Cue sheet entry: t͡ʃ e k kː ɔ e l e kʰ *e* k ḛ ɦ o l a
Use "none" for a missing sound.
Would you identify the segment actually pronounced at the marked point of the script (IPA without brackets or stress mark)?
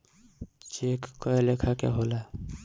a